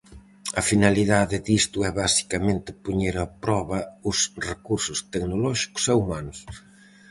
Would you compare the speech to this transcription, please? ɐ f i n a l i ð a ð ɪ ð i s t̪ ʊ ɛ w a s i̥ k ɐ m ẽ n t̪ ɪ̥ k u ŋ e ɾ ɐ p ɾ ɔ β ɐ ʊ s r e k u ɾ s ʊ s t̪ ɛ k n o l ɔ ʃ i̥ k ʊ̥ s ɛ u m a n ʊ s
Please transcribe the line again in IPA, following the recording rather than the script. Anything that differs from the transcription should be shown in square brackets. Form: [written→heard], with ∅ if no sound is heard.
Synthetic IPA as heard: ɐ f i n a l i ð a ð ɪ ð i s t̪ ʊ ɛ [w→β] a s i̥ k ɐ m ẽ n t̪ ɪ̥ [k→p] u [ŋ→ɲ] e ɾ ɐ p ɾ ɔ β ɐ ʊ s r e k u ɾ s ʊ s t̪ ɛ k n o l ɔ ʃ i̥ k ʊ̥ s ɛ u m a n ʊ s